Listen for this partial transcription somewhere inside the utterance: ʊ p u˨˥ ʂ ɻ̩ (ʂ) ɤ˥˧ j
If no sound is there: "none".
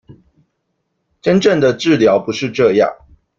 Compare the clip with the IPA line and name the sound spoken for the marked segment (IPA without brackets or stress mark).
ʈ͡ʂ